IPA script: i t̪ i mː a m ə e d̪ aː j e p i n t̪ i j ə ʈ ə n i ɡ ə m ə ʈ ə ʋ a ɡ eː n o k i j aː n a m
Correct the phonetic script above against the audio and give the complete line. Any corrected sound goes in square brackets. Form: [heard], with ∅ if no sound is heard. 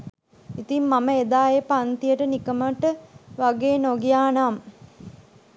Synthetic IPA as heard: i t̪ i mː a m ə e d̪ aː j e p [a] n t̪ i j ə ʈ ə n i [k] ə m ə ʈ ə ʋ a ɡ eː n o [ɡ] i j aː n a m

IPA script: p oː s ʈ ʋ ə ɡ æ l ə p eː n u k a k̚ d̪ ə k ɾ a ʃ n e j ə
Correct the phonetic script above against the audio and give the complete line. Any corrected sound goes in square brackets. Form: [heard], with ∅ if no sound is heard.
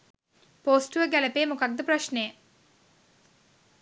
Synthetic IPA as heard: p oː s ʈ ʋ ə ɡ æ l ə p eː [m] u k a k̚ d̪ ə [p] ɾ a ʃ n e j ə

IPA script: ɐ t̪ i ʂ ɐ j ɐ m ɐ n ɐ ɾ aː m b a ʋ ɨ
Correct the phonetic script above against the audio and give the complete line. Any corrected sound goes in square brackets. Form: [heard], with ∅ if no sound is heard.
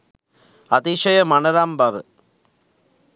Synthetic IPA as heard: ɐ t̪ i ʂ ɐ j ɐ m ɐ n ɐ ɾ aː m b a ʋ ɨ

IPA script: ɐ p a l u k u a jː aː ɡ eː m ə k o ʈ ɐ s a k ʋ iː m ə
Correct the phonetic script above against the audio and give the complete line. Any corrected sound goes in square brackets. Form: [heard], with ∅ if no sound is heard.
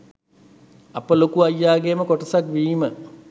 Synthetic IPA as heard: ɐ p [ə] l [o] k u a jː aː ɡ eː m ə k o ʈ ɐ s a k ʋ iː m ə

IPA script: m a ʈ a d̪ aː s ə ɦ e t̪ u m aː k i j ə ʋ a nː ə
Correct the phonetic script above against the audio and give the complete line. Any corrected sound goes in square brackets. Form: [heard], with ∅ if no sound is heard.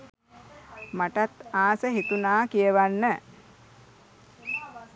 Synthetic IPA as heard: m a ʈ a [t̪] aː s ə ɦ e t̪ u [n] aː k i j ə ʋ a nː ə

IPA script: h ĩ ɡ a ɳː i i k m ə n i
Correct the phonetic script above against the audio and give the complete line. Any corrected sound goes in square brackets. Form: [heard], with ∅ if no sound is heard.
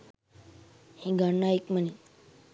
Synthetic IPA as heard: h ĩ ɡ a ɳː [a] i k m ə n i

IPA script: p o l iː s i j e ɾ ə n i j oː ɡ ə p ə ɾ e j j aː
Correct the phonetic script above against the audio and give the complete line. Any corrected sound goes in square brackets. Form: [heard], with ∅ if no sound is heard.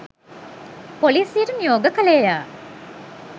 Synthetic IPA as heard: p o l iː s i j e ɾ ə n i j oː ɡ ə [k] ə [l] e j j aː

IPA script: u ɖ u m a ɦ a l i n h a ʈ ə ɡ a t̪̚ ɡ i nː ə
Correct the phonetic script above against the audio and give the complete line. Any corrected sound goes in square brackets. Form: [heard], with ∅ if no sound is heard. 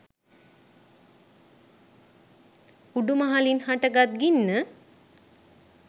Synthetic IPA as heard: u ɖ u m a ɦ a l i n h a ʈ ə ɡ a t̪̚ ɡ i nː ə

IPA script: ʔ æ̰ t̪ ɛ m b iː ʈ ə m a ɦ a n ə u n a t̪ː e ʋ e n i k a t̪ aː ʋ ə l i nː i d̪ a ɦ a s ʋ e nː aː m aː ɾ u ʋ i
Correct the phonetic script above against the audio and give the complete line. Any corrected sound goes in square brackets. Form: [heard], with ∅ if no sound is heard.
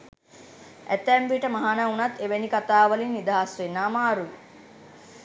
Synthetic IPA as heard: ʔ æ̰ t̪ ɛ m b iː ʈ ə m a ɦ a n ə u n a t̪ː e ʋ e n i k a t̪ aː ʋ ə l i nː i d̪ a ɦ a s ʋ e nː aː m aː ɾ u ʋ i

